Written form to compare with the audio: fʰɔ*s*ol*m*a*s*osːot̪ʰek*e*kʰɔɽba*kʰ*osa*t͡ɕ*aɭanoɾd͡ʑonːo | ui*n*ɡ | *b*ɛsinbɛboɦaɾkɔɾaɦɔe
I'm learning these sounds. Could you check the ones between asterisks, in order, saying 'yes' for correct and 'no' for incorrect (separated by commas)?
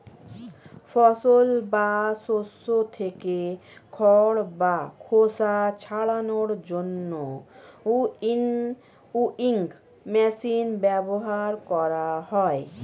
yes, no, yes, yes, yes, no, no, no